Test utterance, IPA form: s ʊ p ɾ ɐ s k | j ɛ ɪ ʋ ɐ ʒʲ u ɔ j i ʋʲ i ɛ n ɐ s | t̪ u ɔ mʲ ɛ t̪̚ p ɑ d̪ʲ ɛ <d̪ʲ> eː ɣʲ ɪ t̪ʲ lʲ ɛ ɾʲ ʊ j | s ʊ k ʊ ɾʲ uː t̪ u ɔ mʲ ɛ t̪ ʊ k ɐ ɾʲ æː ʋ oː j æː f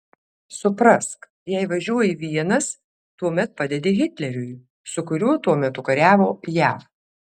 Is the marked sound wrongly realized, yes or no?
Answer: no